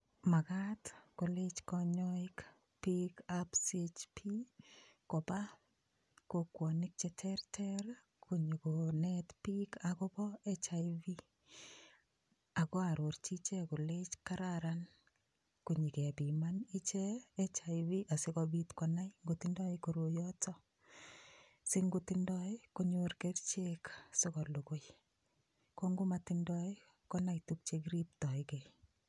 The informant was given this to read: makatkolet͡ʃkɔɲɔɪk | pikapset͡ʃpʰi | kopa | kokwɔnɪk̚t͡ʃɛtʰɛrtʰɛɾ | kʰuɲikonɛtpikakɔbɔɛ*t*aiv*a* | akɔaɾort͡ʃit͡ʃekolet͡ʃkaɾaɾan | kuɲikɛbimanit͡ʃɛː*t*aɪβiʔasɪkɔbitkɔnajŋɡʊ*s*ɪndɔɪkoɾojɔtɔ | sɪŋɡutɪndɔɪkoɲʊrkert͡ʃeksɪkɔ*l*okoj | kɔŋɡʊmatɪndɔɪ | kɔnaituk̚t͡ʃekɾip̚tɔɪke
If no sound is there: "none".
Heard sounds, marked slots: t͡ʃ, i, t͡ʃ, t, l

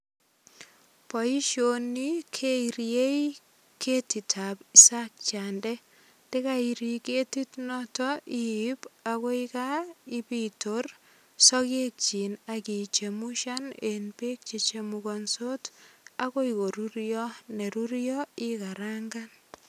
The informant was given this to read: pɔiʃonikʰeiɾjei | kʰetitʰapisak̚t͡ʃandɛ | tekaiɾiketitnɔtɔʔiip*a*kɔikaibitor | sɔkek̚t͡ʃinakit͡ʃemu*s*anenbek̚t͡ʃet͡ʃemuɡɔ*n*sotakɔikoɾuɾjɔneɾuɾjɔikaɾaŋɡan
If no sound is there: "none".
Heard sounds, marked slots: a, ʃ, n

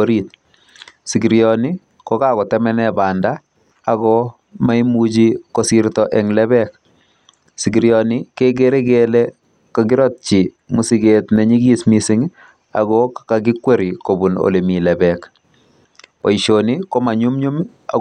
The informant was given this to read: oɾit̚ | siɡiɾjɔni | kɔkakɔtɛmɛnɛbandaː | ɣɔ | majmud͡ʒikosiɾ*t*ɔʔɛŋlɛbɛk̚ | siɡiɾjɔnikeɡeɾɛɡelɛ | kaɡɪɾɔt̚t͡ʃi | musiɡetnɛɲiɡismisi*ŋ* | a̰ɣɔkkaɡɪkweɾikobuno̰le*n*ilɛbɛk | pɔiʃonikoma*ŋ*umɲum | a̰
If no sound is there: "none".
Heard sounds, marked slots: t, ŋ, m, ɲ

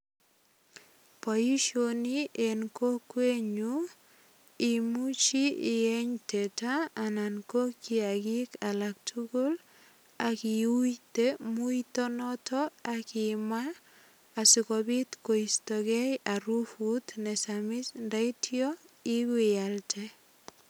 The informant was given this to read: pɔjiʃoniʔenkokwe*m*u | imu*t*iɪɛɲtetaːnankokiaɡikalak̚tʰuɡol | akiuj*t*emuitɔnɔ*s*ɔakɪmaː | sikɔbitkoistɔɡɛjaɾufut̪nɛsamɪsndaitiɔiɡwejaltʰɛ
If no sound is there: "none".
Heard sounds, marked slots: ɲ, t͡ʃ, t, t

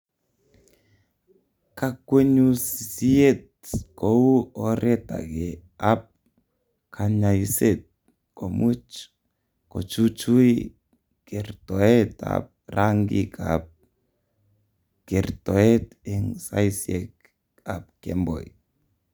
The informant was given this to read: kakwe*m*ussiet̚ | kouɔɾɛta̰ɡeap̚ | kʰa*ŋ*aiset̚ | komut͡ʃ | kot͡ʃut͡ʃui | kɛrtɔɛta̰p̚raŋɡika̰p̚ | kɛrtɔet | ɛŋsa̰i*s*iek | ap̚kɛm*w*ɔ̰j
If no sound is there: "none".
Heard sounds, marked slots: ɲ, ɲ, s, b

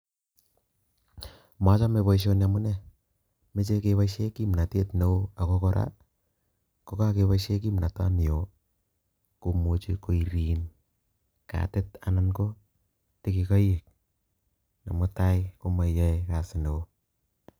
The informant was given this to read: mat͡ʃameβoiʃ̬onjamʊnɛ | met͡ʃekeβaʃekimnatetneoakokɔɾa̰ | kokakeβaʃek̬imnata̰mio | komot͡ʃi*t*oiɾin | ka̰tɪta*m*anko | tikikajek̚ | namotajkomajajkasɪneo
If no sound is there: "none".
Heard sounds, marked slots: k, n

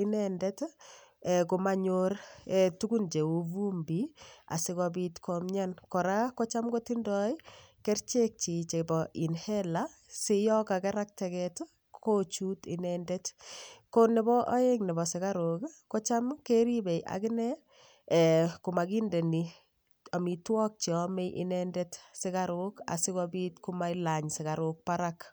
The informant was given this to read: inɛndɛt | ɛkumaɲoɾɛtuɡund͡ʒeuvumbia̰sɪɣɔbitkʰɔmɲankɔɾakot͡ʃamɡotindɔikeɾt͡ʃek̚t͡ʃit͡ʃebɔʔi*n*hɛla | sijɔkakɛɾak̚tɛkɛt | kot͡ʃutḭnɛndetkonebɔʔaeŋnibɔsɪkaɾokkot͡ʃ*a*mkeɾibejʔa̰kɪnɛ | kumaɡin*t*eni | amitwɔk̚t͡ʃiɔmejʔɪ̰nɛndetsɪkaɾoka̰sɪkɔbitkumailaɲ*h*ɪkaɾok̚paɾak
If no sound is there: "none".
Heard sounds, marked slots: n, a, d, s

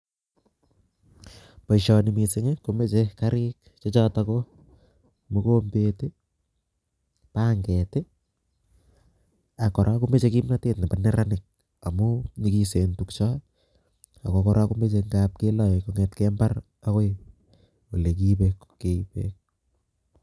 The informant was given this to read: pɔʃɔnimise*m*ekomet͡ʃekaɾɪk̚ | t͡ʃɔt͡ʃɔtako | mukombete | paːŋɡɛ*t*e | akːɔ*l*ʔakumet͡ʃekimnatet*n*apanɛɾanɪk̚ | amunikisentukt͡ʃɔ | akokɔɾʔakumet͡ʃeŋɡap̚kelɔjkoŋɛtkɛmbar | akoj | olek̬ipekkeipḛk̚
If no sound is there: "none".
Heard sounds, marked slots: ŋ, t, ɾ, n

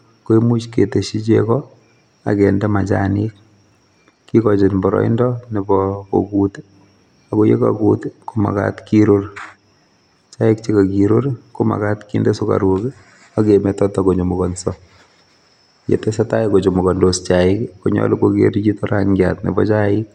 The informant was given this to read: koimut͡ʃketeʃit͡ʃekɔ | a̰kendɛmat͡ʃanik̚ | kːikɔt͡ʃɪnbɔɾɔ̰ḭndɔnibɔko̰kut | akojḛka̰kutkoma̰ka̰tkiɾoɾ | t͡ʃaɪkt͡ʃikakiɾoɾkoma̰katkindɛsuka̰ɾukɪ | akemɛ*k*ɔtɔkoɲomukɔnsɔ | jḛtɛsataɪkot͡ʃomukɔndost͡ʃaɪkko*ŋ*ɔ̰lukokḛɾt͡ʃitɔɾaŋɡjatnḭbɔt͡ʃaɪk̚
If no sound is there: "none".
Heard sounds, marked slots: t, ɲ

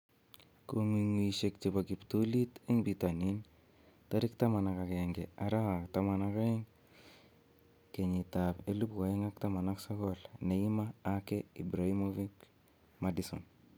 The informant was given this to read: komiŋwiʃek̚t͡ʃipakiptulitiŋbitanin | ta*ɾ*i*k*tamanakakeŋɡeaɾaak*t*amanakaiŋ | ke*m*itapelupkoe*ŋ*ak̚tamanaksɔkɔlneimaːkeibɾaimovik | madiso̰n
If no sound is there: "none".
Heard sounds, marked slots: ɾ, k, t, ɲ, ŋ

